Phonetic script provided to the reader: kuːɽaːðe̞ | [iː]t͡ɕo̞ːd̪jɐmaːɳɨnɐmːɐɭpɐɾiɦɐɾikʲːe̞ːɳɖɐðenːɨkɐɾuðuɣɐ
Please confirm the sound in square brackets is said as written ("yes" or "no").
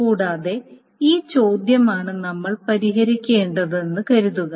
yes